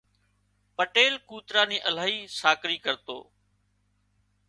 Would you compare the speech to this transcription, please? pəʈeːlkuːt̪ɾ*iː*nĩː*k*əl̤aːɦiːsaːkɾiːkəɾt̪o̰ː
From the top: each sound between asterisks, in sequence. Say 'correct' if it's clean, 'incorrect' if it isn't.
incorrect: aː, incorrect: ʔ

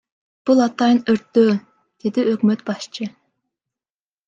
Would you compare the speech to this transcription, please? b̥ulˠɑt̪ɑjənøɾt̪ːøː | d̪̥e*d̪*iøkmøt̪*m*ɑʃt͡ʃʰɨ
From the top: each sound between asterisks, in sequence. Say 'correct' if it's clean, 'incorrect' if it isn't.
correct, incorrect: b

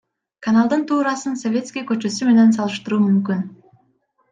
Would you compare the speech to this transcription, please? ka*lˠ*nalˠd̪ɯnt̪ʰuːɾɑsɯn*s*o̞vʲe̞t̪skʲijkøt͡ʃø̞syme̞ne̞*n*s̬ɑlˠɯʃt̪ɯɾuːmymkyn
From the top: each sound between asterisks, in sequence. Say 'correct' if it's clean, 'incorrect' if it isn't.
incorrect: none, correct, correct

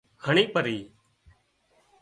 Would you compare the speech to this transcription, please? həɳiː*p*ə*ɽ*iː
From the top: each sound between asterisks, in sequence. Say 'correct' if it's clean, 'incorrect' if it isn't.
correct, incorrect: ɾ

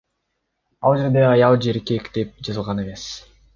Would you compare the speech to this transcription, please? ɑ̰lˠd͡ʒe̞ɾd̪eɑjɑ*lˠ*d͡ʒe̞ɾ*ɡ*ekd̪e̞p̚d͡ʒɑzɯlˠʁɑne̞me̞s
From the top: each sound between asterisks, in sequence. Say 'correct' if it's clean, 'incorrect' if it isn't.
correct, incorrect: k

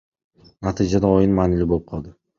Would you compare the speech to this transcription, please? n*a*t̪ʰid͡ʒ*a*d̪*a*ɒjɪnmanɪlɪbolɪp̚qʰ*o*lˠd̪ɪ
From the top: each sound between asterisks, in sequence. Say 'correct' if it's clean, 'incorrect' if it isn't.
correct, correct, correct, incorrect: ɒ

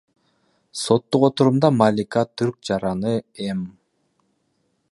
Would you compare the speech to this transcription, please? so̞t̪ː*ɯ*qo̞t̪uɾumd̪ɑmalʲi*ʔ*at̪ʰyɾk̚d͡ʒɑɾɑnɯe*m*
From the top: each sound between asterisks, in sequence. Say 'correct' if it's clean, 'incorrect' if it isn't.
incorrect: u, incorrect: k, correct

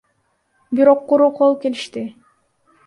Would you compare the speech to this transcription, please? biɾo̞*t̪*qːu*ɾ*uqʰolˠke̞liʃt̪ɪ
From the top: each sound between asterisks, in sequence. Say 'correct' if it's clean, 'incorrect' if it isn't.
incorrect: none, correct

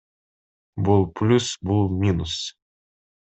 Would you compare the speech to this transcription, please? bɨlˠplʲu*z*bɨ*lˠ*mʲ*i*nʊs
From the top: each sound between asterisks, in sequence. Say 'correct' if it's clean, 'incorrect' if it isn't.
incorrect: s, correct, correct

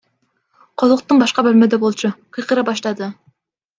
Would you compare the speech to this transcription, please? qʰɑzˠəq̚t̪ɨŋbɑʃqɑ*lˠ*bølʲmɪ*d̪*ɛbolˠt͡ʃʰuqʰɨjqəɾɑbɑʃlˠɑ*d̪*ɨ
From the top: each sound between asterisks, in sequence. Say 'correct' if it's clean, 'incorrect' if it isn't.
incorrect: none, correct, correct

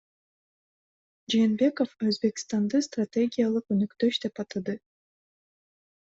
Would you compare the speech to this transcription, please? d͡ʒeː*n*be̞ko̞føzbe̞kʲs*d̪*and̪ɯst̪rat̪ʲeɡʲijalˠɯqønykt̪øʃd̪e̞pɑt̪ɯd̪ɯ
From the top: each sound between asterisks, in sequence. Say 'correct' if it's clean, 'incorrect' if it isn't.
correct, incorrect: t̪

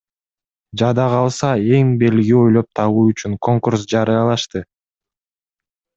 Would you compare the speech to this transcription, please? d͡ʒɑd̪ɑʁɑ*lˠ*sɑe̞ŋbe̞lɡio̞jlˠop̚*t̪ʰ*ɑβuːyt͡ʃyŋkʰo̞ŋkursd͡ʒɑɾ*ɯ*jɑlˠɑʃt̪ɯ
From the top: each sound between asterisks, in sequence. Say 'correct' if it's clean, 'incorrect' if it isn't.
correct, correct, correct

